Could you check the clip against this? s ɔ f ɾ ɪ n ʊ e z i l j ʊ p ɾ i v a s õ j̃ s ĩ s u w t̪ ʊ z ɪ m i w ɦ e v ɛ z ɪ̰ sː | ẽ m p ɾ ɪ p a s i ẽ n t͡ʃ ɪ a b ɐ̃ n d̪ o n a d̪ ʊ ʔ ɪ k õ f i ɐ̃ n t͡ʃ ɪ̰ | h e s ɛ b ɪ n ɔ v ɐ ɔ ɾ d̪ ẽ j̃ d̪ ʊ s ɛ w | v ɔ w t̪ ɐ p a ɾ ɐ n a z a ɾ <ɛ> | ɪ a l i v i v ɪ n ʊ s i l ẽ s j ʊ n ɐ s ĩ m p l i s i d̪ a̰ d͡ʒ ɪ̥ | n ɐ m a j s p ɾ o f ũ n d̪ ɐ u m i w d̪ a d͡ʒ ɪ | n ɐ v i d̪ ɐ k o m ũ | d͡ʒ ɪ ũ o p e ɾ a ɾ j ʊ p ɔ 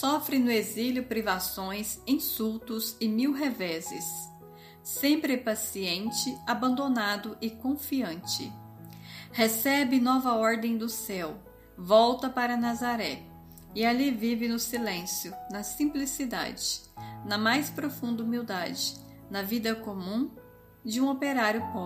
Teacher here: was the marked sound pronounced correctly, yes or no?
yes